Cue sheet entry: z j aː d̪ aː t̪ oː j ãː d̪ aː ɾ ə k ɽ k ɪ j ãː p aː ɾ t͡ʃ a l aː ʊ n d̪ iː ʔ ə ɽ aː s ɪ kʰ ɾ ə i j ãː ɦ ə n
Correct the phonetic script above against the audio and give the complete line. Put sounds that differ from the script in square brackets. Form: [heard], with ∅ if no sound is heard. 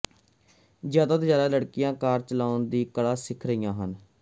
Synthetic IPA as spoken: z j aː d̪ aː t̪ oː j [aː] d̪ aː [l] ə [∅] ɽ k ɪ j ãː [k] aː ɾ t͡ʃ [ə] l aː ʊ n d̪ iː [k] ə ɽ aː s ɪ kʰ ɾ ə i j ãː ɦ ə n